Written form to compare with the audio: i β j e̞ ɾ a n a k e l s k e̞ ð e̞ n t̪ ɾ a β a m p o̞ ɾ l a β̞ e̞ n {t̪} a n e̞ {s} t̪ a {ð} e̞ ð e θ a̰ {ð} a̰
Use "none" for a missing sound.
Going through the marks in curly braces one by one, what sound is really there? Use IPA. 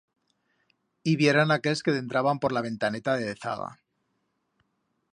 t̪, none, ð, ɣ

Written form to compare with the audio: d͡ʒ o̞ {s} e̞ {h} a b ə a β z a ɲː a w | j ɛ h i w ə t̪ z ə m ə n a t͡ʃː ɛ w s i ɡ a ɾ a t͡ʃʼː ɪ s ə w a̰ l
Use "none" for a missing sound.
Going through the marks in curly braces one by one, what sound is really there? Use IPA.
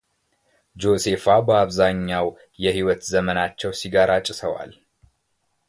s, f

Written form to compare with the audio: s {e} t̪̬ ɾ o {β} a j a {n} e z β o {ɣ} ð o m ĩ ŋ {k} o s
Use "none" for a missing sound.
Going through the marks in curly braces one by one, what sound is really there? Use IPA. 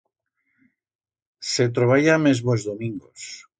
e, β, m, z, ɡ

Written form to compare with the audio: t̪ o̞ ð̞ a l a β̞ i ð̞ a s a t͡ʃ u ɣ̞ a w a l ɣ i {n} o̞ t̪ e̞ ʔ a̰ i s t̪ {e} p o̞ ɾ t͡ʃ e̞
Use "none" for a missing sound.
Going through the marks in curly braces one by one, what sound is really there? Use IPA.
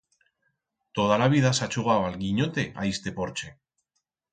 ɲ, e

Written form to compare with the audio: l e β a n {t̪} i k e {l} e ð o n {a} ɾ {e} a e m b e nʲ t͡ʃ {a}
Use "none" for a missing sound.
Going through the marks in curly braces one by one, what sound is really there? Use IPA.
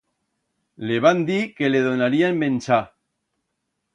d̪, l, a, i, a

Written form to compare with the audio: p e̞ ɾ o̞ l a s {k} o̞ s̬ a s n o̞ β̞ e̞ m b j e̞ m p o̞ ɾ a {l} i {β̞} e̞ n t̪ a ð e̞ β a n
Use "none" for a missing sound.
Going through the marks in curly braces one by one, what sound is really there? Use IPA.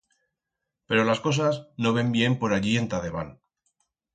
k, ʎ, none

